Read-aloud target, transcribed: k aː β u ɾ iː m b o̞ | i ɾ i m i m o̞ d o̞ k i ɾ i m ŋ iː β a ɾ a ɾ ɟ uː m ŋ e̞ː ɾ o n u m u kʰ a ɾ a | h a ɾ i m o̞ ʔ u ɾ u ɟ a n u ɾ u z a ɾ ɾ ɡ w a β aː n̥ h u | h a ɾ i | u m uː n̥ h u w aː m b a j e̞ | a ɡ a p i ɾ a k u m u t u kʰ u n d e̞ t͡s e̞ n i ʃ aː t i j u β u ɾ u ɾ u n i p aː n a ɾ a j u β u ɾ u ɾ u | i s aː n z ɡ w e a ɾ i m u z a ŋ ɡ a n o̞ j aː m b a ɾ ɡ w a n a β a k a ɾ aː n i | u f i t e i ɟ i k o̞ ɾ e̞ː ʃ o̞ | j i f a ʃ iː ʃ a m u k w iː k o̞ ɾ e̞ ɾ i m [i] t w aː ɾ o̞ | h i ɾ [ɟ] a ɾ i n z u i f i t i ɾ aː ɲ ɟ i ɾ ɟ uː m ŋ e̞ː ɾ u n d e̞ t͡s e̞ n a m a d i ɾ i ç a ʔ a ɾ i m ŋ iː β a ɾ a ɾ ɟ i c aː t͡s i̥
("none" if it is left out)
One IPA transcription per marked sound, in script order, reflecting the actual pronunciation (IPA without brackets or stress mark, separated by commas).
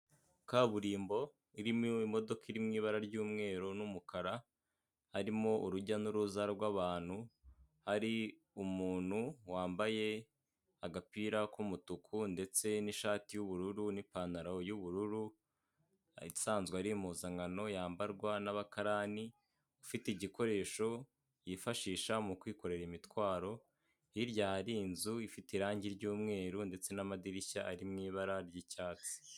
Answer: i, ɟ